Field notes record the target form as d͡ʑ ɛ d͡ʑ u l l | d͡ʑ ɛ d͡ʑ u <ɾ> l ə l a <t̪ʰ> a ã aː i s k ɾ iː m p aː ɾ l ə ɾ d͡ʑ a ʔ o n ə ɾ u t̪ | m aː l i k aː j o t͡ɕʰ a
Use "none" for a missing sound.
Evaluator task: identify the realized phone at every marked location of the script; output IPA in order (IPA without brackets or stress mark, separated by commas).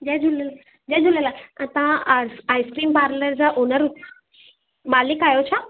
none, t̪